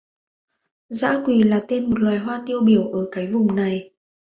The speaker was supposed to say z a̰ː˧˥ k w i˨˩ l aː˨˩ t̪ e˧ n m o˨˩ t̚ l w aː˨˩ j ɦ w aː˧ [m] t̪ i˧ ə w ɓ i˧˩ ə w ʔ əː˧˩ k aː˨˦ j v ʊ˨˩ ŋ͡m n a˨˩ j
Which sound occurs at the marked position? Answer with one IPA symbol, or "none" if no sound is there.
n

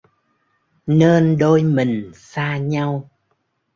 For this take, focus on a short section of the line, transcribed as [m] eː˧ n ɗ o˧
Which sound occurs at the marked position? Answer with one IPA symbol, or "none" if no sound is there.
n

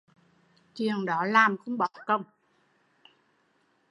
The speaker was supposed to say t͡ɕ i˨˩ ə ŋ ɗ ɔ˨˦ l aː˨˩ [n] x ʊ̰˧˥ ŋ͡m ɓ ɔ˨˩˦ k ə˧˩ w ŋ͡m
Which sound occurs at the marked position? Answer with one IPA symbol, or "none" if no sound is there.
m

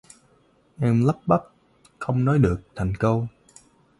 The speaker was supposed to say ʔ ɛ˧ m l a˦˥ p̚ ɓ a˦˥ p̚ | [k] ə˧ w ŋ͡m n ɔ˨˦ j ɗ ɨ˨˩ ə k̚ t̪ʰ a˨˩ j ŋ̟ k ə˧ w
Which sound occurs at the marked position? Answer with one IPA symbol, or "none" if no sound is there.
x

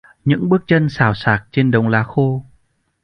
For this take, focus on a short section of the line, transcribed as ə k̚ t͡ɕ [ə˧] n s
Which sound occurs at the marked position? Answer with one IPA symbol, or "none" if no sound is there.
ə˧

